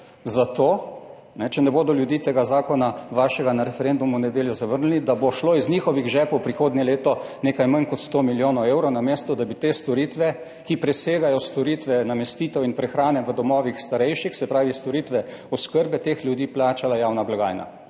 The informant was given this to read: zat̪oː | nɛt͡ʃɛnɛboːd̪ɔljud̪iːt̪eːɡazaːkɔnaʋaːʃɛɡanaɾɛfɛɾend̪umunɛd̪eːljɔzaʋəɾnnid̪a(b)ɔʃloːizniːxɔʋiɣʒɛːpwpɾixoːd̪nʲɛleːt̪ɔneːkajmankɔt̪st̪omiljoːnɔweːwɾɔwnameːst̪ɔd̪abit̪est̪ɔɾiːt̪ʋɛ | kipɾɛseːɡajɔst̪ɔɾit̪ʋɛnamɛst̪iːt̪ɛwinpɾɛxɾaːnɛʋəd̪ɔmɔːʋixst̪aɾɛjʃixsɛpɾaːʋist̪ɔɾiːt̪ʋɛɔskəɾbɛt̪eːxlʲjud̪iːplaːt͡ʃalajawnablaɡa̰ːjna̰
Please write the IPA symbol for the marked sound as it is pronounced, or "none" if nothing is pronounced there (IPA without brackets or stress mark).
b